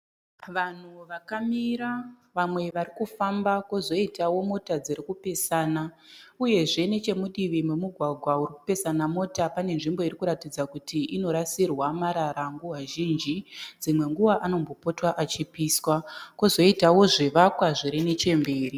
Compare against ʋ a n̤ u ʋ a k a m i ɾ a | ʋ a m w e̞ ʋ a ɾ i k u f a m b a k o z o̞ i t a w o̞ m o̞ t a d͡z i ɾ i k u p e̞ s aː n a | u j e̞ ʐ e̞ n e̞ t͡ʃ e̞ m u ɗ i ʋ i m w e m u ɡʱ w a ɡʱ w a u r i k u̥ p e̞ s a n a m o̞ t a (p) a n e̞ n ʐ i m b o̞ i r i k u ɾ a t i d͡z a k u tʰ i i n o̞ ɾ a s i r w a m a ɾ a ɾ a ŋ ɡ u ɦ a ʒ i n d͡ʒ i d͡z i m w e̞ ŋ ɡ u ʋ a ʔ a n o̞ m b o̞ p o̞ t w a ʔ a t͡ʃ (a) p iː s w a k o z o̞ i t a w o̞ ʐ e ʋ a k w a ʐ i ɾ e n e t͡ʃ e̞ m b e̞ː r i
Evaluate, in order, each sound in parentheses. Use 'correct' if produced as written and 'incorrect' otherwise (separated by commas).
correct, incorrect